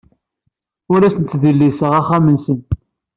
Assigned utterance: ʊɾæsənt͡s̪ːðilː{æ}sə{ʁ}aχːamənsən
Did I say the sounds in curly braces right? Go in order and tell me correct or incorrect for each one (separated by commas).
incorrect, correct